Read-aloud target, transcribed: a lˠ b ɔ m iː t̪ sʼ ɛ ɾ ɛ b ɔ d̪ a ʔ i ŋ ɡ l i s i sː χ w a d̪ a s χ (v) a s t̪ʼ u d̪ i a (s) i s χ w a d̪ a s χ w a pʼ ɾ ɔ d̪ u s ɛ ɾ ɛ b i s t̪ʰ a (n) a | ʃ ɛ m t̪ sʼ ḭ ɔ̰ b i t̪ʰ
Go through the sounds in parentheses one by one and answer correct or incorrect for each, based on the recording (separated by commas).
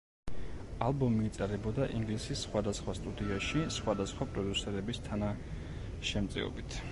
incorrect, incorrect, correct